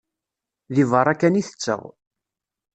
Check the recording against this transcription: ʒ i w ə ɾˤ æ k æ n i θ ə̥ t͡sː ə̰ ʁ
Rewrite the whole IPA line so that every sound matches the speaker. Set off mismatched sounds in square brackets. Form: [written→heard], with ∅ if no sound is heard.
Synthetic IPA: [ʒ→ð] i [w→v] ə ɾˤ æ k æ n i θ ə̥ t͡sː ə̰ ʁ